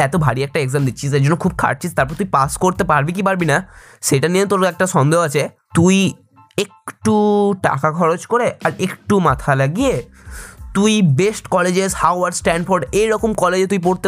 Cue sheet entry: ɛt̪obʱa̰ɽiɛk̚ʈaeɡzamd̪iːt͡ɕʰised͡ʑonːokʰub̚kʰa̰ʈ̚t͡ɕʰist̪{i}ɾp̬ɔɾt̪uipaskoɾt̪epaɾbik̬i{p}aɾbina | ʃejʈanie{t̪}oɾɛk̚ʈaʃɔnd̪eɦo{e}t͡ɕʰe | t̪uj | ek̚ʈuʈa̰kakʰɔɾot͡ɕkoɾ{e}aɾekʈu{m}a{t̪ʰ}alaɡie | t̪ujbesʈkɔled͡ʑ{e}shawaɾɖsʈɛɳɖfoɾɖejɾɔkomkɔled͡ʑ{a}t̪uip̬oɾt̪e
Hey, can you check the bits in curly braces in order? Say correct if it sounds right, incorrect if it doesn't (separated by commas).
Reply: incorrect, correct, correct, incorrect, correct, correct, correct, correct, incorrect